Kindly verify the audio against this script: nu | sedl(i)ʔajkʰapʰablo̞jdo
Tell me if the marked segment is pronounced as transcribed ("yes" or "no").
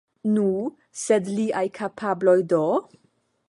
yes